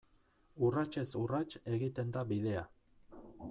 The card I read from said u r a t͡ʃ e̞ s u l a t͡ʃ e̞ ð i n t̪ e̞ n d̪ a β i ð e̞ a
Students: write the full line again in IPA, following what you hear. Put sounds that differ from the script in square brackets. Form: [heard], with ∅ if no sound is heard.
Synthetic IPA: u r a t͡ʃ e̞ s u [r] a t͡ʃ e̞ [ɣ] i [∅] t̪ e̞ n d̪ a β i ð e̞ a